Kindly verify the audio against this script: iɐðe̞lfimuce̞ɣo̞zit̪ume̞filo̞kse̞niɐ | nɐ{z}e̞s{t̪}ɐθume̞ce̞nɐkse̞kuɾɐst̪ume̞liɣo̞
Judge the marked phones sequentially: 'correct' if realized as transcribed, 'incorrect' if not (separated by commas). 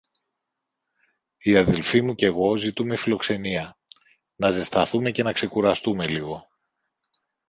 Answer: correct, correct